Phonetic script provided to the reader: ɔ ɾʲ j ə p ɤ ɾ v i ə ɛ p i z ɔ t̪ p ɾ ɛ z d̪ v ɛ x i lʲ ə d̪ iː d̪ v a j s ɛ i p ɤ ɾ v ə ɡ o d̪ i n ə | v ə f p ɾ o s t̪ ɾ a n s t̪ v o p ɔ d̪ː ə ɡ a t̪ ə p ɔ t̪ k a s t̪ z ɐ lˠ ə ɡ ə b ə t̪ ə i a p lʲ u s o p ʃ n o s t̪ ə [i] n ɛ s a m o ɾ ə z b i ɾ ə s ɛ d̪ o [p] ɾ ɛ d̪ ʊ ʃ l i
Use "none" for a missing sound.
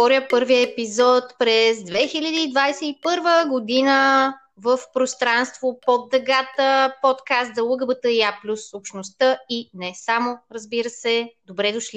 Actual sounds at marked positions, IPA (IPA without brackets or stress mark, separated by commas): i, b